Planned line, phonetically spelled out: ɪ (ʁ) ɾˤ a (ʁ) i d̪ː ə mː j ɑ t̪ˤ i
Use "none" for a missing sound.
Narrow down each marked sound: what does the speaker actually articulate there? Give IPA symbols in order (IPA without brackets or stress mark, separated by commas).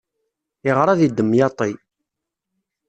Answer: ʁ, ð